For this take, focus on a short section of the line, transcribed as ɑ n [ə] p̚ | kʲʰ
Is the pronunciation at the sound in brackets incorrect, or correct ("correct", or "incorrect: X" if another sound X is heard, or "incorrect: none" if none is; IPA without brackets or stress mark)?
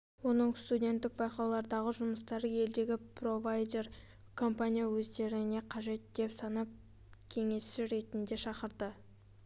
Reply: incorrect: ɑ